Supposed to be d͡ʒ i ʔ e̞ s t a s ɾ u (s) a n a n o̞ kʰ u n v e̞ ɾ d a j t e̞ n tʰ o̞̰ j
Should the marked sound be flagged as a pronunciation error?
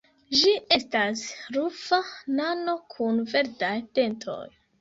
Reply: yes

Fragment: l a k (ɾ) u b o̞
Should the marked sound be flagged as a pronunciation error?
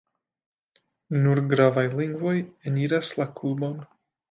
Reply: yes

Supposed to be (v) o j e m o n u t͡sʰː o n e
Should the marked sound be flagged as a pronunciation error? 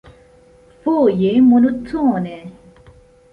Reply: yes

